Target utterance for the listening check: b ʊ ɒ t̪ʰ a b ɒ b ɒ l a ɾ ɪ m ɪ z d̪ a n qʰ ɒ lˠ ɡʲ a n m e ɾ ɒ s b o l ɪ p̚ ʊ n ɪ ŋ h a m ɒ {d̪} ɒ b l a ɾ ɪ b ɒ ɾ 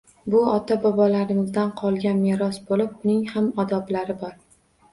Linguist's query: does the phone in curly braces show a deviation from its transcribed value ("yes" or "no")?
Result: no